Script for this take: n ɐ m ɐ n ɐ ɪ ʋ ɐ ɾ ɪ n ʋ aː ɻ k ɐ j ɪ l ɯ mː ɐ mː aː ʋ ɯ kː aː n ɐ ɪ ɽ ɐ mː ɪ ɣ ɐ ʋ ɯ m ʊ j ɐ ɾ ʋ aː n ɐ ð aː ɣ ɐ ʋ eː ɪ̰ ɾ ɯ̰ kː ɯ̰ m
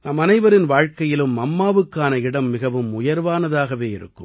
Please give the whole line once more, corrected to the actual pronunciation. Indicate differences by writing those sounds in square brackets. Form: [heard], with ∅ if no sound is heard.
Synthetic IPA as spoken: n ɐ m ɐ n ɐ ɪ ʋ ɐ ɾ ɪ n ʋ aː ɻ k ɐ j ɪ l ɯ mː ɐ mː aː ʋ ɯ kː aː n ɐ ɪ ɽ ɐ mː ɪ ɣ ɐ ʋ ɯ m ʊ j ɐ ɾ ʋ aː n ɐ ð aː ɣ ɐ ʋ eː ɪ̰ ɾ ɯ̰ kː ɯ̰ m